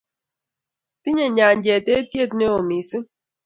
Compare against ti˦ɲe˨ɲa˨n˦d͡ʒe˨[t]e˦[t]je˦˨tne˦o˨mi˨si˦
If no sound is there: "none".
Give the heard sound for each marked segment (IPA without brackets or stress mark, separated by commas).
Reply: t, t